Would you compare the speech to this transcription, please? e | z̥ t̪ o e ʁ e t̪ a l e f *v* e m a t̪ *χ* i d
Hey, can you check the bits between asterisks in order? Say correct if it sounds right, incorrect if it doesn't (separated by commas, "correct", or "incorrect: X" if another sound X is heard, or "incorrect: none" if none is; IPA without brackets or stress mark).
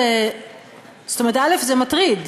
incorrect: z, incorrect: ʁ